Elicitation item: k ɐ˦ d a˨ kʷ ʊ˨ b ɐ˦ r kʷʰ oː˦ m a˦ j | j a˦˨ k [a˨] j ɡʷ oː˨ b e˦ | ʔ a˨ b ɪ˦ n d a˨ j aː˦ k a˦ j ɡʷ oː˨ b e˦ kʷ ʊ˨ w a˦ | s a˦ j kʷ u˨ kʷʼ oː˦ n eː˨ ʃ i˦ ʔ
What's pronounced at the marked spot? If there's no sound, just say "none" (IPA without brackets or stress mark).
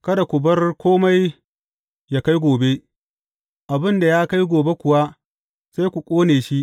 a˦